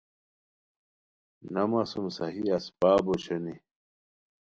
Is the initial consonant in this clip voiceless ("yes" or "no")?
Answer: no